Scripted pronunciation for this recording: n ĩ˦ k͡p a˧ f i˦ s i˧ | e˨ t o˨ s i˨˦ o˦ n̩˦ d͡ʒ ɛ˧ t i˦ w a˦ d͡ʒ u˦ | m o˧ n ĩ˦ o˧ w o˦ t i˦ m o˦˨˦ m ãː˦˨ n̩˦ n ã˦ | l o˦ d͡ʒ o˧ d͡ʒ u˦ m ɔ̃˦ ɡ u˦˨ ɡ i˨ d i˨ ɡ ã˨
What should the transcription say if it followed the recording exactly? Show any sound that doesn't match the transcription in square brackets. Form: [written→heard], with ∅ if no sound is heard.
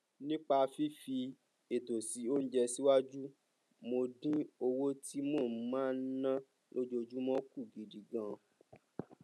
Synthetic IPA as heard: n ĩ˦ k͡p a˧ f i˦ [s→f] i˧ | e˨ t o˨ s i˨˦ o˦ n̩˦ d͡ʒ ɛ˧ [t→s] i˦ w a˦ d͡ʒ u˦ | m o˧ [n→d] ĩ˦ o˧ w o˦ t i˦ m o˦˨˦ m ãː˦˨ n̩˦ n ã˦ | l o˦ d͡ʒ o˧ d͡ʒ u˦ m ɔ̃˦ [ɡ→k] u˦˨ ɡ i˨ d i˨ ɡ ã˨